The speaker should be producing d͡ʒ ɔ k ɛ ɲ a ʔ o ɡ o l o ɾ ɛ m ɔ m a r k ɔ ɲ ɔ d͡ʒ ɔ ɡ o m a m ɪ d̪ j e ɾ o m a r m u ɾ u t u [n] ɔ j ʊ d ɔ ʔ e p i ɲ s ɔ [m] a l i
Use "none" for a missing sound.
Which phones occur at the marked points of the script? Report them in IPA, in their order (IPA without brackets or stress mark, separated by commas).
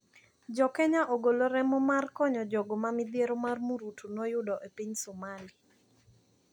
n, m